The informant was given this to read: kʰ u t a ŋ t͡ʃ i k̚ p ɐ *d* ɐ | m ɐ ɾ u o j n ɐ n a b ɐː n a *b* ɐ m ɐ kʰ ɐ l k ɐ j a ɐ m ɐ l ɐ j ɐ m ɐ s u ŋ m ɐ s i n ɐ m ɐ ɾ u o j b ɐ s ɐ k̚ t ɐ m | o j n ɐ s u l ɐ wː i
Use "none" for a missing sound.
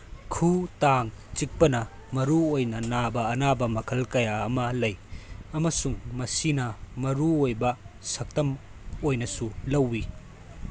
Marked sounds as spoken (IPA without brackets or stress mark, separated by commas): n, b